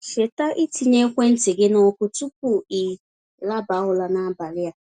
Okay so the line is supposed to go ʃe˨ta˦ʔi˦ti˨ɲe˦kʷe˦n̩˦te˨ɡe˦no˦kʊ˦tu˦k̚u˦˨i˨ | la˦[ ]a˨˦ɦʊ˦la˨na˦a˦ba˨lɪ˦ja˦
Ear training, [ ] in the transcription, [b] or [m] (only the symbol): b